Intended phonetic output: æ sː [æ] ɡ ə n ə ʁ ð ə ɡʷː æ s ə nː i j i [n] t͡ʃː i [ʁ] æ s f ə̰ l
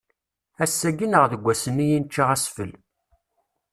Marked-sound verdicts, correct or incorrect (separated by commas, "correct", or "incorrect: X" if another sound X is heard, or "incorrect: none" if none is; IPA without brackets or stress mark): correct, correct, correct